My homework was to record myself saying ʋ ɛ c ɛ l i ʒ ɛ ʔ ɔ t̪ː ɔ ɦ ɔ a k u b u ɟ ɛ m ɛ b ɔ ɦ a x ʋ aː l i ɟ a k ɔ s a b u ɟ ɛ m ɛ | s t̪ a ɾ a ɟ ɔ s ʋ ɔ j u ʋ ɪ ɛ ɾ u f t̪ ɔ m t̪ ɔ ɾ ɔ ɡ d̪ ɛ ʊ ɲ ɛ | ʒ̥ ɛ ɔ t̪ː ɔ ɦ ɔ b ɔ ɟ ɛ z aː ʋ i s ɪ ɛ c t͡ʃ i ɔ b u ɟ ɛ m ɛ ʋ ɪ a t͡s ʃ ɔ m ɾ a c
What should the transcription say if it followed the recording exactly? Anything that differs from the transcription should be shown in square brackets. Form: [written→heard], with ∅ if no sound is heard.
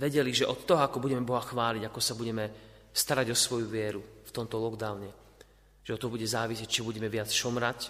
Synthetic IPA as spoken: ʋ ɛ [c→ɟ] ɛ l i ʒ ɛ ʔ ɔ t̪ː ɔ ɦ ɔ a k [u→ɔ] b u ɟ ɛ m ɛ b ɔ ɦ a x ʋ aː l i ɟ a k ɔ s a b u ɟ ɛ m ɛ | s t̪ a ɾ a ɟ ɔ s ʋ ɔ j u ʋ ɪ ɛ ɾ u f t̪ ɔ m t̪ ɔ [ɾ→l] ɔ ɡ d̪ [ɛ→a] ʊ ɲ ɛ | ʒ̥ ɛ ɔ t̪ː ɔ ɦ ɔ b [ɔ→u] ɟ ɛ z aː ʋ i s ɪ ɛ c t͡ʃ i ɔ b u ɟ ɛ m ɛ ʋ ɪ a t͡s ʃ ɔ m ɾ a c